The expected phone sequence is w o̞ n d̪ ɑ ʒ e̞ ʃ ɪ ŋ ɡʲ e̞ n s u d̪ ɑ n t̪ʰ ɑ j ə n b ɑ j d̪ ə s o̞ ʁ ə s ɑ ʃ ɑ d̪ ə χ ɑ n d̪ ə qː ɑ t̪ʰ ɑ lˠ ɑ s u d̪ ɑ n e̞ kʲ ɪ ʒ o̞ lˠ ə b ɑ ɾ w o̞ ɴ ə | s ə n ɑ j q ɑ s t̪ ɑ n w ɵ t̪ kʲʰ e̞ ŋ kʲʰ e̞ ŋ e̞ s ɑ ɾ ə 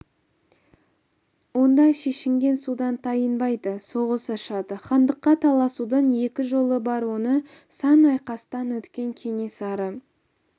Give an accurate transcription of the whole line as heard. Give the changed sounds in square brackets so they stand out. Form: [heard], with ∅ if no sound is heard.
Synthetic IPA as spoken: w o̞ n d̪ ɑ [ʃ] e̞ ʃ ɪ ŋ ɡʲ e̞ n s u d̪ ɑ n t̪ʰ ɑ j ə n b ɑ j d̪ ə s o̞ ʁ ə s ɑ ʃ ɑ d̪ ə χ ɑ n d̪ ə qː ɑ t̪ʰ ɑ lˠ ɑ s u d̪ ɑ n e̞ kʲ ɪ ʒ o̞ lˠ ə b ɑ ɾ w o̞ [n] ə | s [ɑ] n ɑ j q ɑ s t̪ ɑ n w ɵ t̪ [kʲ] e̞ ŋ kʲʰ e̞ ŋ e̞ s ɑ ɾ ə